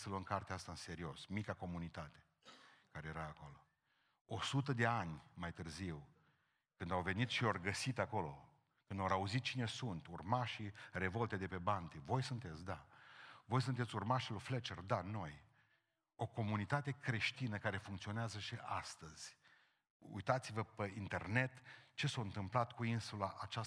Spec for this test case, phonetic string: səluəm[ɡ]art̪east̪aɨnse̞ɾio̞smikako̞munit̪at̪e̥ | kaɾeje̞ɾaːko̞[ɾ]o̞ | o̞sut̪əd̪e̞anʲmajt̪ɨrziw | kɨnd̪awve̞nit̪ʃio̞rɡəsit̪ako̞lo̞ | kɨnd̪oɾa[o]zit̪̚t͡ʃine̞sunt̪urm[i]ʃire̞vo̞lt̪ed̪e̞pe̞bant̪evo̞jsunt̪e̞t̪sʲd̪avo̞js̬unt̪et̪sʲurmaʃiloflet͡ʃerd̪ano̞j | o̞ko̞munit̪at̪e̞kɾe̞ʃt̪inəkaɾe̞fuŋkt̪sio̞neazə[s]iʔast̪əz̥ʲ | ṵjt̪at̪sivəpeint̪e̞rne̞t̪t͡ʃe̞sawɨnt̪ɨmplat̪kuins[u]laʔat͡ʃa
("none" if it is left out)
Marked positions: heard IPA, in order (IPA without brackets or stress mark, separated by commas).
k, l, u, a, ʃ, u